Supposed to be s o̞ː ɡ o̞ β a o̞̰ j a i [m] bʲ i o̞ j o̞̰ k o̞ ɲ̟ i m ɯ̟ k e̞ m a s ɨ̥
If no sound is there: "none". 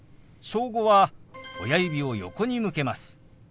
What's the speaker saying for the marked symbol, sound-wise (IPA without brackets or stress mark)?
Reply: none